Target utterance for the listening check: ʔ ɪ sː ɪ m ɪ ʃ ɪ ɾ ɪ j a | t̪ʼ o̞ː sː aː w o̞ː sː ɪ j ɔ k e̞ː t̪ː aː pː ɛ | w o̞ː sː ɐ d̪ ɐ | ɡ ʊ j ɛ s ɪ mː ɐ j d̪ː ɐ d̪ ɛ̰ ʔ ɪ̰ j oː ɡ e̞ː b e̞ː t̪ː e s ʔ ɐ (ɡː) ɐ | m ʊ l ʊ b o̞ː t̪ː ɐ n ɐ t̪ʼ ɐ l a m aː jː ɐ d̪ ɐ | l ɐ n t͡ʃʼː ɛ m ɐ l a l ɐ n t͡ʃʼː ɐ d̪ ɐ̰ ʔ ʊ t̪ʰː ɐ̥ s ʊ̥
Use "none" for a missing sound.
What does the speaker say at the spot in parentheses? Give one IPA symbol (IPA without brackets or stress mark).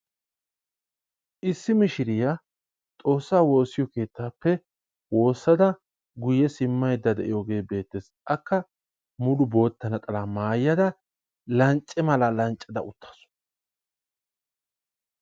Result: kː